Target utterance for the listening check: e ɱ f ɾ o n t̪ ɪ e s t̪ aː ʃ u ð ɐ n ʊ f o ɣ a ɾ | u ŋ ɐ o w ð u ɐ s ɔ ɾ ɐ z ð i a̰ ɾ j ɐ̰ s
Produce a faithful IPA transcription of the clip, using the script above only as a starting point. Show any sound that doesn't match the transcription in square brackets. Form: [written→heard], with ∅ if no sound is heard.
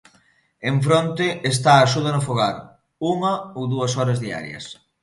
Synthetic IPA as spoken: e ɱ f ɾ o n t̪ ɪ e s t̪ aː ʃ u ð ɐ n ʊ f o ɣ a ɾ | u ŋ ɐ o w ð u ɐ s ɔ ɾ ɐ z ð i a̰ ɾ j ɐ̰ s